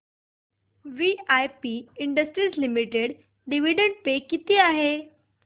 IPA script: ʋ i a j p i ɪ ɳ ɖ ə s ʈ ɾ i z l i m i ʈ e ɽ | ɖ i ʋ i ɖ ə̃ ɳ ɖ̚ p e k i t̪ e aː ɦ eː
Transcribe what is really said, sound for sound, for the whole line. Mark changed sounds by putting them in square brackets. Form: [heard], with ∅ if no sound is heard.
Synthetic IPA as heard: ʋ i a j p i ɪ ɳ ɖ ə s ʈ ɾ i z l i m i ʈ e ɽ | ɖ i ʋ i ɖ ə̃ ɳ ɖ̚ p e k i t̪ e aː ɦ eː